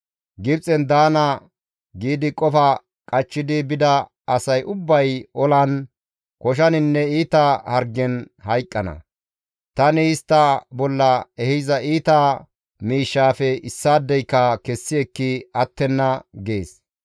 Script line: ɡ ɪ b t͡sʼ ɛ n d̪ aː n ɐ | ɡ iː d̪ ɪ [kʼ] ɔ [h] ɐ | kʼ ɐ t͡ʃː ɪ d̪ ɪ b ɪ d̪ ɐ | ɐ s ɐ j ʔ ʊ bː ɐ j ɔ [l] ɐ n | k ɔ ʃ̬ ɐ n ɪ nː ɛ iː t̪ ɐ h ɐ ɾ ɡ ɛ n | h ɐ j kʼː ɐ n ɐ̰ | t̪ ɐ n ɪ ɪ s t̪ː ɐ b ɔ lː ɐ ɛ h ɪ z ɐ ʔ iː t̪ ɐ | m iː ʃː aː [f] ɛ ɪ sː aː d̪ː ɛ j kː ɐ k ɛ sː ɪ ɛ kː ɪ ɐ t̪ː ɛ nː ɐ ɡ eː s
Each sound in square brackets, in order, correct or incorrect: correct, incorrect, correct, correct

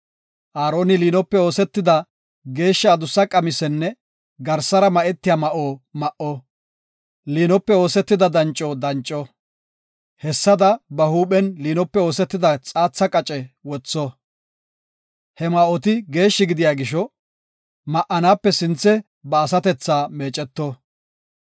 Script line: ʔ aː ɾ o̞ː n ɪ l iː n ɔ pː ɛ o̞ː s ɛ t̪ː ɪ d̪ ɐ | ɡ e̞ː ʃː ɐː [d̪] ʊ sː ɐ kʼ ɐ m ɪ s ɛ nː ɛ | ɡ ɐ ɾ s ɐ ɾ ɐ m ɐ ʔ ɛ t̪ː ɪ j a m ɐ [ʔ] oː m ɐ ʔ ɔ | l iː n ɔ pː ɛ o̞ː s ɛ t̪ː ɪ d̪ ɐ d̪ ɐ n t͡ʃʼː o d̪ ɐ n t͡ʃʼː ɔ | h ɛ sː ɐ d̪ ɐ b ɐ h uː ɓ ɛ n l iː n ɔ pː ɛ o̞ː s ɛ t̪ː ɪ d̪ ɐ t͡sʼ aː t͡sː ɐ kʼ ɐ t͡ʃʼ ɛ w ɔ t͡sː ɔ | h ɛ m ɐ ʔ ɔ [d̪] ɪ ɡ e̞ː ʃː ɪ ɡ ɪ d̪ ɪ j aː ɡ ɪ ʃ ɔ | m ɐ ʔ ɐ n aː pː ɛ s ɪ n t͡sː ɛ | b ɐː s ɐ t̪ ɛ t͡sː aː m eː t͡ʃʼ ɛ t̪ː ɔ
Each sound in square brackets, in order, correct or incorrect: correct, correct, incorrect

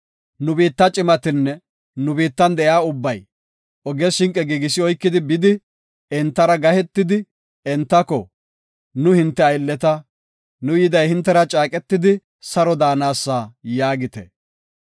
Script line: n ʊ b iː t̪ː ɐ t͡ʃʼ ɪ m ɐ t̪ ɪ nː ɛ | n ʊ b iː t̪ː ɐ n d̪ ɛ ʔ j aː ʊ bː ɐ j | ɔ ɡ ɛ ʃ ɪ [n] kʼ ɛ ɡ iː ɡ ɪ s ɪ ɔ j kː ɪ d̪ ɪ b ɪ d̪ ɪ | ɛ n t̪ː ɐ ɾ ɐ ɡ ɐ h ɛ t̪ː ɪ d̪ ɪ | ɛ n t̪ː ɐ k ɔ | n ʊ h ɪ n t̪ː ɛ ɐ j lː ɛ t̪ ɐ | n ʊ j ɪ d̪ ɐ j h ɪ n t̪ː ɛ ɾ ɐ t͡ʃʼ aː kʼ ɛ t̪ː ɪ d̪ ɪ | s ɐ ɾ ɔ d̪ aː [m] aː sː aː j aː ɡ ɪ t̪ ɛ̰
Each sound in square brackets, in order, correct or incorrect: incorrect, incorrect

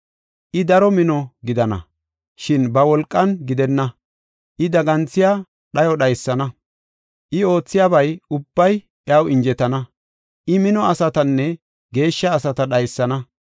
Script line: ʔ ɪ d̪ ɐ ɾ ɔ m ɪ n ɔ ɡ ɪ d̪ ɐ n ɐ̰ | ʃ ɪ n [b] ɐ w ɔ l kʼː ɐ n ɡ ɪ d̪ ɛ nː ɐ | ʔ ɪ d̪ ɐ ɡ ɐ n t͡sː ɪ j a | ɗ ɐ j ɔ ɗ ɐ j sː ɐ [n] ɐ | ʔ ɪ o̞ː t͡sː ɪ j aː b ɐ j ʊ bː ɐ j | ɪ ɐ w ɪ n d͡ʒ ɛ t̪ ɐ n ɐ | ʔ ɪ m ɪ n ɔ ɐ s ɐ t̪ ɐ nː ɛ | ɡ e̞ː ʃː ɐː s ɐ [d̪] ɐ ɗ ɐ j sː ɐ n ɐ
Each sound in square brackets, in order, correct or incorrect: correct, correct, incorrect

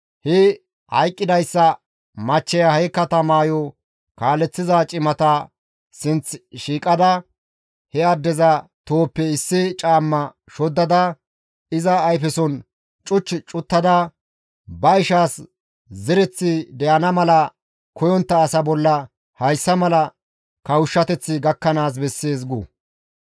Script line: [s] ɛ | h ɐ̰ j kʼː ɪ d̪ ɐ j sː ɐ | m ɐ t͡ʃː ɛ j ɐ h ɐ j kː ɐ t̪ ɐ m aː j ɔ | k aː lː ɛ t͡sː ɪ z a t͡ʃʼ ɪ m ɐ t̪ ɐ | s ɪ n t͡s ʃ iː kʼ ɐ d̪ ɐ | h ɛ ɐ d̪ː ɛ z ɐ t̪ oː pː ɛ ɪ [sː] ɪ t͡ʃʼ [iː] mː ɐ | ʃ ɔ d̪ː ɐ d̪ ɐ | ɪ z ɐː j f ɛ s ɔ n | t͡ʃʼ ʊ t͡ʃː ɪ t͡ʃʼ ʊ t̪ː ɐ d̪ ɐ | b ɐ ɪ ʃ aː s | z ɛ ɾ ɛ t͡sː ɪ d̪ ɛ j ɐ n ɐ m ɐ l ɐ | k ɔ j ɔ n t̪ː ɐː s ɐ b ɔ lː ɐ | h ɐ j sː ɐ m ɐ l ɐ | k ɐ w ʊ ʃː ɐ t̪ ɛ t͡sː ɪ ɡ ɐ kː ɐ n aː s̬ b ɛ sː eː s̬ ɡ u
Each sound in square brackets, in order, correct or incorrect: incorrect, correct, incorrect

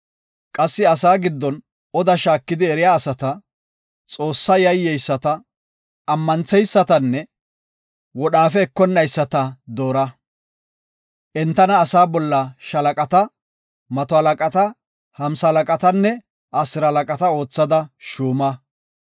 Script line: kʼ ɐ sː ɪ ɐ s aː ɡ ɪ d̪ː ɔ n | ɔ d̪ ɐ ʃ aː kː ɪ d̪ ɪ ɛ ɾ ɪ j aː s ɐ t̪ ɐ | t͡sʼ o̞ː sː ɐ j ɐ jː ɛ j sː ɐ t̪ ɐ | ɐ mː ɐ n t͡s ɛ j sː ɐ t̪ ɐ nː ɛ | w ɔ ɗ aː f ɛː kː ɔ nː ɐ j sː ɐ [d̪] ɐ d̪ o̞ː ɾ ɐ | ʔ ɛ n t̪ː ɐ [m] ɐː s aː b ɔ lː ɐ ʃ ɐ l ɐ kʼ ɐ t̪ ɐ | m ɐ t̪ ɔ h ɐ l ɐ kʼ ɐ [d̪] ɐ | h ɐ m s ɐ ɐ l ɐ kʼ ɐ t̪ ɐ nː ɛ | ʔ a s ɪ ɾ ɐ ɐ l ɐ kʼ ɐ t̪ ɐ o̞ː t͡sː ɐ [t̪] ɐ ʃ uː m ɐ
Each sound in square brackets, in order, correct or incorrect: incorrect, incorrect, incorrect, incorrect

